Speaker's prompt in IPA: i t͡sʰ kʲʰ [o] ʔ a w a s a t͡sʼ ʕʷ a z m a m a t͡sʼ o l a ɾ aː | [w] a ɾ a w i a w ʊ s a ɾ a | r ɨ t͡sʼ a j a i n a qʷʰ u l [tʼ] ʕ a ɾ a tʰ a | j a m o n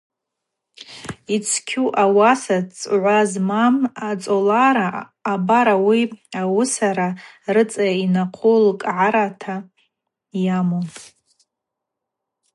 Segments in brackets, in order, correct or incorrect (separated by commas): incorrect, incorrect, incorrect